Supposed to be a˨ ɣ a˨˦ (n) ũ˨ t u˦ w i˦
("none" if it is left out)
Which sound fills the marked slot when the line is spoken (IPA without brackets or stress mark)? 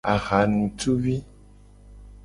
n